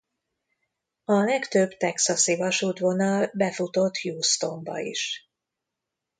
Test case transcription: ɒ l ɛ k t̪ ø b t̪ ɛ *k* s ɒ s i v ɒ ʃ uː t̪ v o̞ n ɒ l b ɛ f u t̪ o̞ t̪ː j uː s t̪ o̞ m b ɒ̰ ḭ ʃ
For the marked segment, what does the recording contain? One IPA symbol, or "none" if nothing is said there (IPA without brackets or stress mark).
k